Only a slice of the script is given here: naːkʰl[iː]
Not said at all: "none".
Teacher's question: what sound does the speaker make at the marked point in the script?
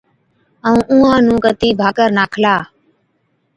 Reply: aː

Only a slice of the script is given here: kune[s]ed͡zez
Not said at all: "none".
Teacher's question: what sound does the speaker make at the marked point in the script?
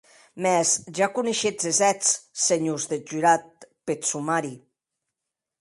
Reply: ʃ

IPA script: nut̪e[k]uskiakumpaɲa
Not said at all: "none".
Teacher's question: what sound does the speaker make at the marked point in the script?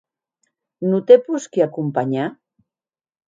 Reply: p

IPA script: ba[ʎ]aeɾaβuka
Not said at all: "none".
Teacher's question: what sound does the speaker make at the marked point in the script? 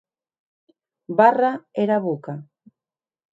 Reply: r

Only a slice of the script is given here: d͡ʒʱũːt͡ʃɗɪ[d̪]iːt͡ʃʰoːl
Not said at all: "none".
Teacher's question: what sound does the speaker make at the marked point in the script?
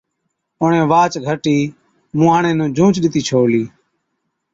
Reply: t̪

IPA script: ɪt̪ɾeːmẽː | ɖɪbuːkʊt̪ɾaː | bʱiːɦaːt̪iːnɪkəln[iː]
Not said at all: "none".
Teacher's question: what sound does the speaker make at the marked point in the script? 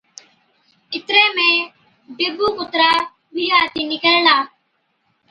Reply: aː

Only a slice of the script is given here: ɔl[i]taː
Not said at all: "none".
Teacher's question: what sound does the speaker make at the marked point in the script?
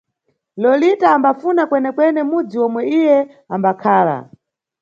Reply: i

